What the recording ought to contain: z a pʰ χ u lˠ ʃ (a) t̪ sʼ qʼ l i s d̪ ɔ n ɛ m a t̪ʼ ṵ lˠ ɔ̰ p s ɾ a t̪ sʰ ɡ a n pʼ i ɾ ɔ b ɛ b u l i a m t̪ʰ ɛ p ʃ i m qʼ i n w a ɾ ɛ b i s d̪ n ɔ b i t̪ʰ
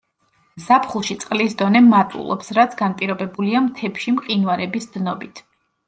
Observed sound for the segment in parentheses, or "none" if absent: i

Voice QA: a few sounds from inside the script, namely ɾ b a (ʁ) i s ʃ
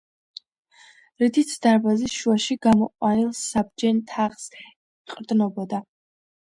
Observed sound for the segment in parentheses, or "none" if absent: z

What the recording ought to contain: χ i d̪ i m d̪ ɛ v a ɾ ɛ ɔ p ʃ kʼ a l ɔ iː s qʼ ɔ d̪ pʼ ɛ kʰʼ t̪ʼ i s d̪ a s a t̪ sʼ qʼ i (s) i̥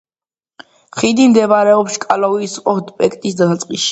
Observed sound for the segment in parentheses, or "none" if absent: ʃ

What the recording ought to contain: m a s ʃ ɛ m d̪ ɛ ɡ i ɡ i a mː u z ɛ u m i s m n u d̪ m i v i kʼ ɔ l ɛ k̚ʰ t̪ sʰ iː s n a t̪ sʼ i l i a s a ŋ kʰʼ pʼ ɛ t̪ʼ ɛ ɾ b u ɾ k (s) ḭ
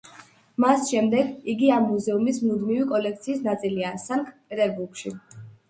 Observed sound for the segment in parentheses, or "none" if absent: ʃ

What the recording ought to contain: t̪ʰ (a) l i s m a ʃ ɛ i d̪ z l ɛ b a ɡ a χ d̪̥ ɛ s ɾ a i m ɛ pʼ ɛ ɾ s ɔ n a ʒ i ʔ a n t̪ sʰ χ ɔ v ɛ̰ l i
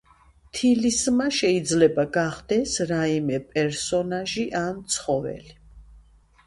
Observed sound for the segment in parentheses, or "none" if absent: i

